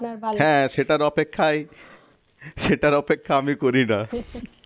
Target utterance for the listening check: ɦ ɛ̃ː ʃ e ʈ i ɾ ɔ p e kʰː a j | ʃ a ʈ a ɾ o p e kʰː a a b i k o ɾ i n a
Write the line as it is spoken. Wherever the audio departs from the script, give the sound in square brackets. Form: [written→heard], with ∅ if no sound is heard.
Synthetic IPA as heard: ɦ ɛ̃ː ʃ e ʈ [i→a] ɾ ɔ p e kʰː a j | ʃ [a→e] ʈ a ɾ [o→ɔ] p e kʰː a a [b→m] i k o ɾ i n a